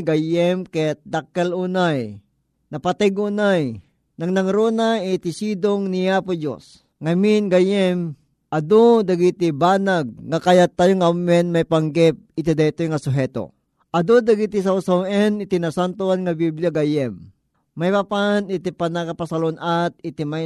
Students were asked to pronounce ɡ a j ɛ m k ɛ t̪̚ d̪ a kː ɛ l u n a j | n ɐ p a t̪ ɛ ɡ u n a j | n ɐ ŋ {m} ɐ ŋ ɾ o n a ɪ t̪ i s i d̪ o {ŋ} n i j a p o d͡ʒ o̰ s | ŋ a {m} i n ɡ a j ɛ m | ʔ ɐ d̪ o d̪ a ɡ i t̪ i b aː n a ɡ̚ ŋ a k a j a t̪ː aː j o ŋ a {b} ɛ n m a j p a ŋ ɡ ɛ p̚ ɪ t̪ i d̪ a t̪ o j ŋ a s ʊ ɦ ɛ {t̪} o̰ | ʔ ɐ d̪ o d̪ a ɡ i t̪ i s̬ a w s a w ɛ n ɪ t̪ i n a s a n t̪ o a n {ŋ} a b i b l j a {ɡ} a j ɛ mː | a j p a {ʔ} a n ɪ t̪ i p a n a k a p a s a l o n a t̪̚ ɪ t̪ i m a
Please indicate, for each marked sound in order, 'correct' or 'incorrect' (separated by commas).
incorrect, correct, correct, incorrect, correct, correct, correct, incorrect